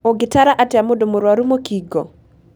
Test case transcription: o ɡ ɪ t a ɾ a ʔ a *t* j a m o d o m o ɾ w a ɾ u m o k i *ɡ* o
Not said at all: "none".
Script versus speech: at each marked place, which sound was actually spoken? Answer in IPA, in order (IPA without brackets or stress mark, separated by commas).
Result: t, ɡ